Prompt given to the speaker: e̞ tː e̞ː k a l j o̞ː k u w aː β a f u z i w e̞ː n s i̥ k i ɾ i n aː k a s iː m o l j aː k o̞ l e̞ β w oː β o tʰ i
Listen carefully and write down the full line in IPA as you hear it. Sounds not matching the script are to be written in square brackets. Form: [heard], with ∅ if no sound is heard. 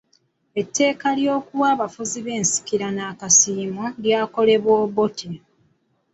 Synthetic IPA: e̞ tː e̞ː k a l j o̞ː k u w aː β a f u z i [β] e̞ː n s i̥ k i ɾ [a] n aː k a s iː m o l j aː k o̞ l e̞ β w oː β o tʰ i